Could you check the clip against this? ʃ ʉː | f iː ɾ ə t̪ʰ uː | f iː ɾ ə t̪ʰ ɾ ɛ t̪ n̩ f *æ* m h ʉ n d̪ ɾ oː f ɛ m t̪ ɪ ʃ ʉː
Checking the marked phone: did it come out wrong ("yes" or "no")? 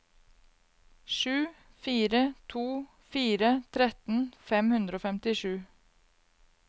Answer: yes